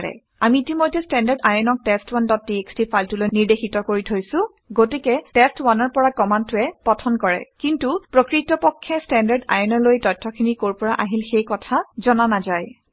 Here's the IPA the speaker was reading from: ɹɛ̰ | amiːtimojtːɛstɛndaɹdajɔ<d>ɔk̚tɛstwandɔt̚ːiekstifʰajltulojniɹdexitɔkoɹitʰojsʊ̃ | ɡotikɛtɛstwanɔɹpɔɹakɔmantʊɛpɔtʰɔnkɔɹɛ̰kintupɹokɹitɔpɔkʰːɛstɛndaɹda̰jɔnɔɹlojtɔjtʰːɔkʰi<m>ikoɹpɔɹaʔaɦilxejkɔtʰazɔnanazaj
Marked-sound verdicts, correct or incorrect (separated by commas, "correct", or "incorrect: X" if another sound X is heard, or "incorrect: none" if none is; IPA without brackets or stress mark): incorrect: n, incorrect: n